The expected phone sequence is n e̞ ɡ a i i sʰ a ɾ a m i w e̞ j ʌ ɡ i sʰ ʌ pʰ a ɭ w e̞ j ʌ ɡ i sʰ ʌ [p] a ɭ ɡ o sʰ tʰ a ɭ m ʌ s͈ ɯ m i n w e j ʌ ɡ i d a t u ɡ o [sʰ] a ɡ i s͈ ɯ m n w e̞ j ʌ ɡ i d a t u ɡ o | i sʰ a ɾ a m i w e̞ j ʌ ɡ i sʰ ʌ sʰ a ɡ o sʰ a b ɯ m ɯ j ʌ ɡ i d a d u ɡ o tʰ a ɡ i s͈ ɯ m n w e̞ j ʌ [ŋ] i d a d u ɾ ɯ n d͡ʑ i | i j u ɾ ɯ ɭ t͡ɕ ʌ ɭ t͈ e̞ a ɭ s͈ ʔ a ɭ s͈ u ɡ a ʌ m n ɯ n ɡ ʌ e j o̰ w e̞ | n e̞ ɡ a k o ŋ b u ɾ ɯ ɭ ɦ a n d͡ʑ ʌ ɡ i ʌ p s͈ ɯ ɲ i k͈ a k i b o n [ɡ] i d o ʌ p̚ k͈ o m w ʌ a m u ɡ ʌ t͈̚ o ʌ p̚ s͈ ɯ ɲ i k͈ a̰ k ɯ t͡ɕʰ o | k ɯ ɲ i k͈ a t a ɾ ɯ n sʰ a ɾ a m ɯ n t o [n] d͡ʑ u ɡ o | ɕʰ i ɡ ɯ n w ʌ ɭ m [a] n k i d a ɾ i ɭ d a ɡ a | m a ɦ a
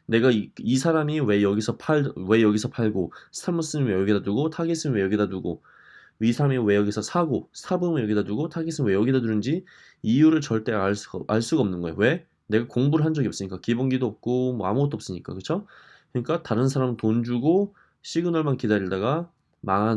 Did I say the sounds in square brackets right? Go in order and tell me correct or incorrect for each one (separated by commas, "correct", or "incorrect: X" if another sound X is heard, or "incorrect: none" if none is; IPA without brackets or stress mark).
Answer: incorrect: pʰ, incorrect: tʰ, incorrect: ɡ, correct, correct, correct